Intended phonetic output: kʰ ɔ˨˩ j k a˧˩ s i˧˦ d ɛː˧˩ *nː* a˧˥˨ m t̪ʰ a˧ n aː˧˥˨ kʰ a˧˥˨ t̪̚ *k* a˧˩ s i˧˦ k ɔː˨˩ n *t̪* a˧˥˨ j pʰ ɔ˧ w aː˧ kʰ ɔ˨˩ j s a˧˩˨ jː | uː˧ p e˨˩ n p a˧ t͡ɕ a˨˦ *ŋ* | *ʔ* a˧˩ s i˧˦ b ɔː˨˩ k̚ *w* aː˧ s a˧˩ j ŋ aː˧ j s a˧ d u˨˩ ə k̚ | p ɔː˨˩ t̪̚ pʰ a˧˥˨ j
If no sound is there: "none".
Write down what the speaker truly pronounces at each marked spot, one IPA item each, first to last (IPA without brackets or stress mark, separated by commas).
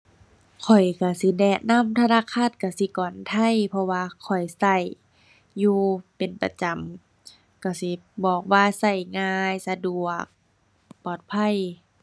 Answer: n, k, t̪ʰ, m, k, w